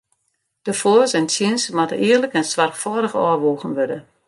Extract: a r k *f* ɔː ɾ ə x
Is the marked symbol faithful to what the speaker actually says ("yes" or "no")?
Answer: yes